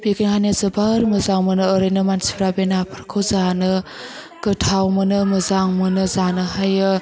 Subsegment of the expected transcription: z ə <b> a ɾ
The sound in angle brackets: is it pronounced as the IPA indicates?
yes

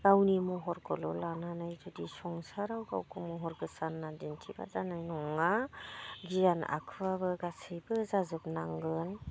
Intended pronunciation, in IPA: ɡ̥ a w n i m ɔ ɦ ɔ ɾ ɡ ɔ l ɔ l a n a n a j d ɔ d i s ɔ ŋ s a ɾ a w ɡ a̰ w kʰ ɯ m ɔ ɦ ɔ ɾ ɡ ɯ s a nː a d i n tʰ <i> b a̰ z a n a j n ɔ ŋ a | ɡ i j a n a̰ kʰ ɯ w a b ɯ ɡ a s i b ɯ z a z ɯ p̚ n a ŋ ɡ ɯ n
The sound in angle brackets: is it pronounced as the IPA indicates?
yes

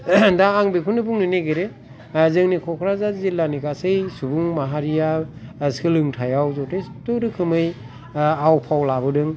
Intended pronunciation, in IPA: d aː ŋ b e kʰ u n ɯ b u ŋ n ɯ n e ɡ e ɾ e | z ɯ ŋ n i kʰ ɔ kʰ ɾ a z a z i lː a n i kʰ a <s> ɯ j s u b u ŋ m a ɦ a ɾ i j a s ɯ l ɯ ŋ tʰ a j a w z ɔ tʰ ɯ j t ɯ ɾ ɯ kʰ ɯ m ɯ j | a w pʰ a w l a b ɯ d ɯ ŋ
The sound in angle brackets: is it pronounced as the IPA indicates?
yes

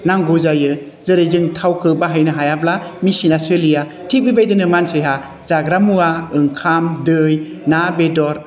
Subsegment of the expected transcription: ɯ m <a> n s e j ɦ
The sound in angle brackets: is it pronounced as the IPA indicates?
yes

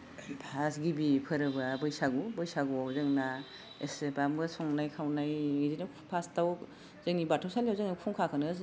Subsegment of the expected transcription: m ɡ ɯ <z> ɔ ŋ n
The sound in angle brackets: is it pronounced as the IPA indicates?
no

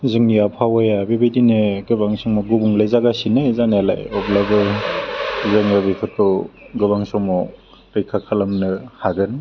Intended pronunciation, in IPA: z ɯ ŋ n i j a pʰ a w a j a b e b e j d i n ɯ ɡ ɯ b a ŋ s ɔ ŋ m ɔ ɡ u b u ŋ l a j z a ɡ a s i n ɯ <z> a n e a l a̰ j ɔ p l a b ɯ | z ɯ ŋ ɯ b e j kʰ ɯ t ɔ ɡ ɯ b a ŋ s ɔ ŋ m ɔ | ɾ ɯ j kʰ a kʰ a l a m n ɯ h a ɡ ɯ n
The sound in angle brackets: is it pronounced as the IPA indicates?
yes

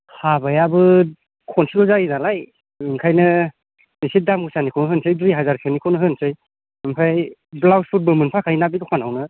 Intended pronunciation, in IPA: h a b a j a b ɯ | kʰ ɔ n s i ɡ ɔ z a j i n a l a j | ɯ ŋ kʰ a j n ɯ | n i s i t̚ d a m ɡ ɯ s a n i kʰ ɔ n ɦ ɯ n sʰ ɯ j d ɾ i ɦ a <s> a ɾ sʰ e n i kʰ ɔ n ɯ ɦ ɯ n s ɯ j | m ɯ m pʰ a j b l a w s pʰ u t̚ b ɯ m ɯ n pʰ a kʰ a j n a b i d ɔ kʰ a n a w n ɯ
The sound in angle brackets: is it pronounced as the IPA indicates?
no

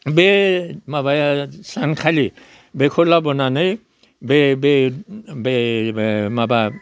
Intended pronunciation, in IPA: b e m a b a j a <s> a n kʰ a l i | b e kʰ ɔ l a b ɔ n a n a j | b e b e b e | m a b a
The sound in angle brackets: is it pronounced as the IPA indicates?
yes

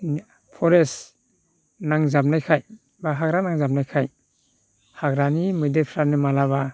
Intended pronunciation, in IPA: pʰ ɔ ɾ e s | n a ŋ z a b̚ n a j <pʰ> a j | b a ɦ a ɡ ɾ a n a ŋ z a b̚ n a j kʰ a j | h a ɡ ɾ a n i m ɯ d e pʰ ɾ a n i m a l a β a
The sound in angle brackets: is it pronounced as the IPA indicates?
no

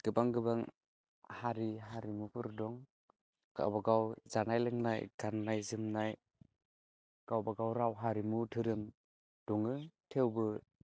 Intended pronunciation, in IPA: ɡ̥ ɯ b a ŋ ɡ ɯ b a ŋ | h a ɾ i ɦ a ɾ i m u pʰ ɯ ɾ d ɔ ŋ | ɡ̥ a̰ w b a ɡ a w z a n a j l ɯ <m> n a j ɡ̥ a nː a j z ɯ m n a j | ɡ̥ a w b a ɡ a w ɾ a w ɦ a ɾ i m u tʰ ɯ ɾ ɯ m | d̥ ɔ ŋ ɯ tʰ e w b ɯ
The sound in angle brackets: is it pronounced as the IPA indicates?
no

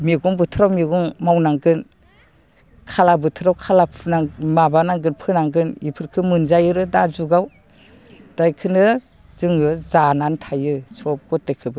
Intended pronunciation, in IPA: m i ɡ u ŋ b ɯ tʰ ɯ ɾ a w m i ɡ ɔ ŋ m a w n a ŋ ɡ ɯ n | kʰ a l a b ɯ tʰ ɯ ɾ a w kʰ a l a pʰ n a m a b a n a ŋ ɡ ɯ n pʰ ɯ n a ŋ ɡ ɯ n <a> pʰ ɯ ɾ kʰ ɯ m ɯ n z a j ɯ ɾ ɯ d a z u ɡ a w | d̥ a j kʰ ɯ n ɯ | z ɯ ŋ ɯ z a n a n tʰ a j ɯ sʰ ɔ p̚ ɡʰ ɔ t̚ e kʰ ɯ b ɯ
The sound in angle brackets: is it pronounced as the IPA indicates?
no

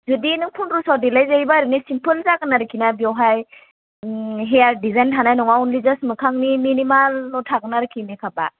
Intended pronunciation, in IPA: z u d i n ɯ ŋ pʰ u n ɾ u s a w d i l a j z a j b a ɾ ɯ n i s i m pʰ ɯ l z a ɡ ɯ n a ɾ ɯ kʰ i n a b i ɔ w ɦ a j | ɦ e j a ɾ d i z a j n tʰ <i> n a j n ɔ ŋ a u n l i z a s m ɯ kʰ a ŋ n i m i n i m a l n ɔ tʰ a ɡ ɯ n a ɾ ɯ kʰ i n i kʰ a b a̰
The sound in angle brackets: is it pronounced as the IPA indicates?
no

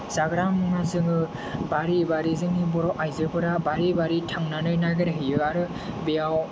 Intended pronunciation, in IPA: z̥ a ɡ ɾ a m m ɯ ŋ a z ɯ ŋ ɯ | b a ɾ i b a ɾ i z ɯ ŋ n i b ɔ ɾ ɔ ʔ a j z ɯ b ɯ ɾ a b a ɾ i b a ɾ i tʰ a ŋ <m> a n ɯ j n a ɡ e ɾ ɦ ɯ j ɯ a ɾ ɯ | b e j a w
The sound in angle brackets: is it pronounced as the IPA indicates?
no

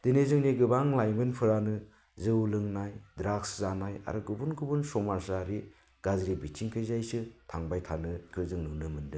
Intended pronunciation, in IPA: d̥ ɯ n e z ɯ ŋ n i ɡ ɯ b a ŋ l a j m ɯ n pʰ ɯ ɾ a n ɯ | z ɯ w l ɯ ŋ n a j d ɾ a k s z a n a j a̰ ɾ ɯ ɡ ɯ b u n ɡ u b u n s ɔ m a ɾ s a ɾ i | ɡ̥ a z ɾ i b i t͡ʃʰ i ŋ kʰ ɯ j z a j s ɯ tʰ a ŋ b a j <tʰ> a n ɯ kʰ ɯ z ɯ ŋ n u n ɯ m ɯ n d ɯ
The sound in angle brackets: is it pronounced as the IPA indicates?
yes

